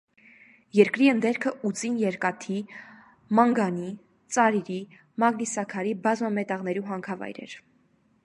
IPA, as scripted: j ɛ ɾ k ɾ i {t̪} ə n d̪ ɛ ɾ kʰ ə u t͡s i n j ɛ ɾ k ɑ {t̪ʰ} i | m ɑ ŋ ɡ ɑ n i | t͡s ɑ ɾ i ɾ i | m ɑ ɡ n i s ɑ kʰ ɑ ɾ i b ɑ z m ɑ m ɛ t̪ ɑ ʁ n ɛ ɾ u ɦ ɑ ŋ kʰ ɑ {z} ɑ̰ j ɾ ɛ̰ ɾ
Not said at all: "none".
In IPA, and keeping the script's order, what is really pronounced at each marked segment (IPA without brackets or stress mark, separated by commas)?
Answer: none, t̪ʰ, v